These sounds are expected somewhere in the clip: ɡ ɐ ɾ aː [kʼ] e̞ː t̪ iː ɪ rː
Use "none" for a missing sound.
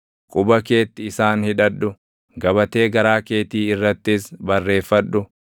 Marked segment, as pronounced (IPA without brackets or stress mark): k